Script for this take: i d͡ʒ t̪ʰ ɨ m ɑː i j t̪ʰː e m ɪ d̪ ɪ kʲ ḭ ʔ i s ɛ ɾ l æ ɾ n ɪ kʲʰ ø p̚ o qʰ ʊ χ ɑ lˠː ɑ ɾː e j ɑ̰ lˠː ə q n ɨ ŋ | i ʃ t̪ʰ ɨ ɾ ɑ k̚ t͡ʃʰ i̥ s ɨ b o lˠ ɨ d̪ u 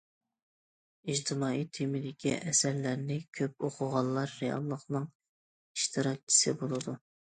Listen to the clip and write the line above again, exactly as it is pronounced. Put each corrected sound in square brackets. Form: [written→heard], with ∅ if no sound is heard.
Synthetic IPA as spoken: i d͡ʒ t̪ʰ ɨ m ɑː i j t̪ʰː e m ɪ d̪ ɪ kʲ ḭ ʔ [i→ɛ] s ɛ ɾ l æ ɾ n ɪ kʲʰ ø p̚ o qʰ ʊ [χ→ʁ] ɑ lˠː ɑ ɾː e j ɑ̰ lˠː ə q n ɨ ŋ | i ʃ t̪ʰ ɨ ɾ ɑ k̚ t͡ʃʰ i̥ s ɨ b o lˠ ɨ d̪ u

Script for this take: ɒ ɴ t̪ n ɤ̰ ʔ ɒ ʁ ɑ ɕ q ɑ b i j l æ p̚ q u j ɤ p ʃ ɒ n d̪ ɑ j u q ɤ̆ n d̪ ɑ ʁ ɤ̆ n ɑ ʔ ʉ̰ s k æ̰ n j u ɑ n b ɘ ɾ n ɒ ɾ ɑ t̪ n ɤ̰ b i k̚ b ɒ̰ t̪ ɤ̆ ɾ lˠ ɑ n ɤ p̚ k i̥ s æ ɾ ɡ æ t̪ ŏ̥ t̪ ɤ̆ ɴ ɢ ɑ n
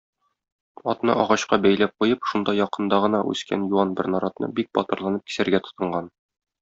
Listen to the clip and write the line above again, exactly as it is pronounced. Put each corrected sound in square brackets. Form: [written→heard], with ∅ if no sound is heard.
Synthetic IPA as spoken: ɒ [ɴ→∅] t̪ n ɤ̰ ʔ ɒ ʁ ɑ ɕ q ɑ b [i→æ] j l æ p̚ q u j ɤ p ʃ [ɒ→u] n d̪ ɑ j [u→ɒ] q ɤ̆ n d̪ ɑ ʁ ɤ̆ n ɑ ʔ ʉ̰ s k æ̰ n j u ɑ n b ɘ ɾ n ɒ ɾ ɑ t̪ n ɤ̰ b i k̚ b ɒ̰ t̪ ɤ̆ ɾ lˠ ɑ n ɤ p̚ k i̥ s æ ɾ ɡ æ t̪ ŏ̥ t̪ ɤ̆ ɴ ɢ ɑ n

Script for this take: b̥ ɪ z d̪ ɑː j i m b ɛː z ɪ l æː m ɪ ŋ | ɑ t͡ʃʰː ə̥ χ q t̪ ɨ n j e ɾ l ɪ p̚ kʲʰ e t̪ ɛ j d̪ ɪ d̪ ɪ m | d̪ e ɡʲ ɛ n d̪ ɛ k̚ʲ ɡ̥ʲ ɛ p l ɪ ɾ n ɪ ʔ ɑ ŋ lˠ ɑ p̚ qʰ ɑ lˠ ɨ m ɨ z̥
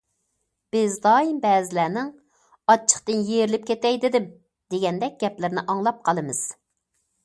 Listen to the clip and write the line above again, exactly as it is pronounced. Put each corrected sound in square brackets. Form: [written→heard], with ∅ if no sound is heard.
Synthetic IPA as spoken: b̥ ɪ z d̪ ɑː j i m b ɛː z ɪ l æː [m→n] ɪ ŋ | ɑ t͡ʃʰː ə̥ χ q t̪ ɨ n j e ɾ l ɪ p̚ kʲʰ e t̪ ɛ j d̪ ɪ d̪ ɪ m | d̪ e ɡʲ ɛ n d̪ ɛ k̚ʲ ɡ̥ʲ ɛ p l ɪ ɾ n ɪ ʔ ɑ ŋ lˠ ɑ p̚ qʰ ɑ lˠ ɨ m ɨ z̥

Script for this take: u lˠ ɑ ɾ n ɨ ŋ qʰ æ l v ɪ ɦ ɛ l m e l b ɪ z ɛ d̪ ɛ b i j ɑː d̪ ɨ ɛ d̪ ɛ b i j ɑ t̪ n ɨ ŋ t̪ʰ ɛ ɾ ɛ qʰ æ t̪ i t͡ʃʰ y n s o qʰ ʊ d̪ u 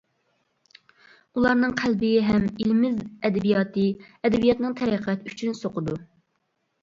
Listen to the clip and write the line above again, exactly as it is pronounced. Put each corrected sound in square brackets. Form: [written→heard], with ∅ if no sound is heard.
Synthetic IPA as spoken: u lˠ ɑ ɾ n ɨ ŋ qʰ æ l [v→b] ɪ ɦ ɛ [l→∅] m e l [b→m] ɪ z ɛ d̪ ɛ b i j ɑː [d̪→t̪] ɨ ɛ d̪ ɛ b i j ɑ t̪ n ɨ ŋ t̪ʰ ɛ ɾ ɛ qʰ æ t̪ [i→y] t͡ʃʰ y n s o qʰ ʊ d̪ u

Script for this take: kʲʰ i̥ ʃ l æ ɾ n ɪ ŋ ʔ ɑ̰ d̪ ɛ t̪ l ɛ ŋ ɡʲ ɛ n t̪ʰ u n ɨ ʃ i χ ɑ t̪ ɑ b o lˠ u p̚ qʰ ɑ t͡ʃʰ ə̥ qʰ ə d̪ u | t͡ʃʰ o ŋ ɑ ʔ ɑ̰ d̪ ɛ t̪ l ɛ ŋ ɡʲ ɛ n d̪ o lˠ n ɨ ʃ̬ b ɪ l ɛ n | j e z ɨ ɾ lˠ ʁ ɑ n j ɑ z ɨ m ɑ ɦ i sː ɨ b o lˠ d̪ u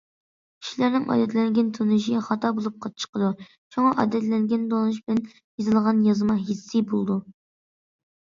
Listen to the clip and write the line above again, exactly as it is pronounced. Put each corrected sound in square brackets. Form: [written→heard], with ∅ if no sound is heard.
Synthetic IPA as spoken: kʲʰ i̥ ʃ l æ ɾ n ɪ ŋ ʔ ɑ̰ d̪ ɛ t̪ l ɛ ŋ ɡʲ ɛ n t̪ʰ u n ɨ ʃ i χ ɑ t̪ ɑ b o lˠ u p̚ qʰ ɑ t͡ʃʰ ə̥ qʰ ə d̪ u | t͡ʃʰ o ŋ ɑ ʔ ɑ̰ d̪ ɛ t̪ l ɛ ŋ ɡʲ ɛ n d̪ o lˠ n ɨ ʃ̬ b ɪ l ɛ n | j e z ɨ [ɾ→∅] lˠ ʁ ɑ n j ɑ z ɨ m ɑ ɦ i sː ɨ b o lˠ d̪ u

